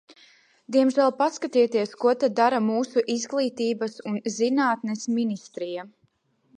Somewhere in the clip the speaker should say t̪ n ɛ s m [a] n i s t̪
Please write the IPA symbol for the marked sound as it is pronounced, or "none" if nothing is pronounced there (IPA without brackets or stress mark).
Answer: i